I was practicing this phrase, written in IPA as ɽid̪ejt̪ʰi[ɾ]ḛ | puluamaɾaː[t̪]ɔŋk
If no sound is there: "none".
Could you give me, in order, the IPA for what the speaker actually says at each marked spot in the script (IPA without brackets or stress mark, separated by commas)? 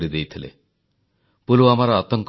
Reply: l, t̪